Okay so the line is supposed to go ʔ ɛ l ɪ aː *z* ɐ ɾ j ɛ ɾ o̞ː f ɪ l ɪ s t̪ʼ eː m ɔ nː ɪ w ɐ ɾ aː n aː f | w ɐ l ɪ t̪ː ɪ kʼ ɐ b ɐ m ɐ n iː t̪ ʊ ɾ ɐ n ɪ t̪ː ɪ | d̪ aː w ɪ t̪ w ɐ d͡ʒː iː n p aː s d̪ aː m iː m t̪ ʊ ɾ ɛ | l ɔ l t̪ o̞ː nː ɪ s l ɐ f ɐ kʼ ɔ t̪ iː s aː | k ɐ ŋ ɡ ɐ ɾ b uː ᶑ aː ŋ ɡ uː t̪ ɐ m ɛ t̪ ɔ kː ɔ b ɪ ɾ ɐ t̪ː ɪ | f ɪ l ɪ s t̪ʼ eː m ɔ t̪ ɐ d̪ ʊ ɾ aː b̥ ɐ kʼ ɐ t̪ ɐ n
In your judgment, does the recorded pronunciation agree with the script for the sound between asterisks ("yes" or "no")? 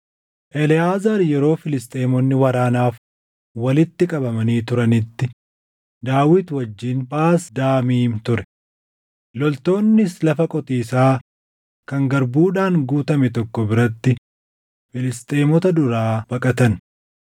yes